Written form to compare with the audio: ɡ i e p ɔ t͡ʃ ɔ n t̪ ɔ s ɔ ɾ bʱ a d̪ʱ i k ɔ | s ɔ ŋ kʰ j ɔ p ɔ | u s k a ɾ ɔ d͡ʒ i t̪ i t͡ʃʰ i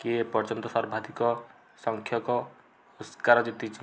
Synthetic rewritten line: k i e p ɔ t͡ʃ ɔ n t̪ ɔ s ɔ ɾ bʱ a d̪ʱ i k ɔ | s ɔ ŋ kʰ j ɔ k ɔ | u s k a ɾ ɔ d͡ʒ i t̪ i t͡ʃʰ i